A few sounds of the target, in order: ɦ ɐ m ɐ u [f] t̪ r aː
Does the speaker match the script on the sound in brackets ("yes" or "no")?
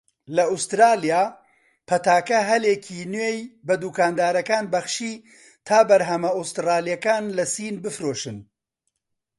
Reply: no